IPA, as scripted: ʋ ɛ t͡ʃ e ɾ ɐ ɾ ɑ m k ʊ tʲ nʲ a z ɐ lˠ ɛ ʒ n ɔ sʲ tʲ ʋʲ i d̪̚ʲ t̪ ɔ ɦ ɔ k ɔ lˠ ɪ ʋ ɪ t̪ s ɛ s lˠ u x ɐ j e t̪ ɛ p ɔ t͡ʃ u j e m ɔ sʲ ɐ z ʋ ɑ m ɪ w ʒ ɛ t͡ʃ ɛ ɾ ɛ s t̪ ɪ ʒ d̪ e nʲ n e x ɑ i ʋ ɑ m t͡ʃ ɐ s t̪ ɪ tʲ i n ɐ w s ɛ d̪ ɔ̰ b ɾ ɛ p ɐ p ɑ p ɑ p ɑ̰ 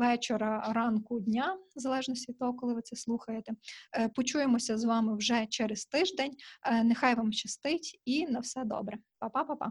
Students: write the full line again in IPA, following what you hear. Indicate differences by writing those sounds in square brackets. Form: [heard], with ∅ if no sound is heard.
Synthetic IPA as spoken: ʋ ɛ t͡ʃ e ɾ ɐ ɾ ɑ [n] k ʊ [dʲ] nʲ a z ɐ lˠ ɛ ʒ n ɔ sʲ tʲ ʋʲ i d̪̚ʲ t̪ ɔ ɦ ɔ k ɔ lˠ ɪ ʋ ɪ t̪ s ɛ s lˠ u x ɐ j e t̪ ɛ p ɔ t͡ʃ u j e m ɔ sʲ ɐ z ʋ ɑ m ɪ w ʒ ɛ t͡ʃ ɛ ɾ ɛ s t̪ ɪ ʒ d̪ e nʲ n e x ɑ [j] ʋ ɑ m t͡ʃ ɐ s t̪ ɪ tʲ i n ɐ w s ɛ d̪ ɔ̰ b ɾ ɛ p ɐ p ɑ p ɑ p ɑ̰